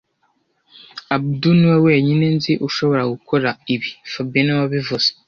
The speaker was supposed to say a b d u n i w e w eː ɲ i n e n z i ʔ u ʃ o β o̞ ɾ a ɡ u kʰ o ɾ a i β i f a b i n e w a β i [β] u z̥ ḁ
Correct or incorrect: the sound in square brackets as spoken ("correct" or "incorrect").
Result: incorrect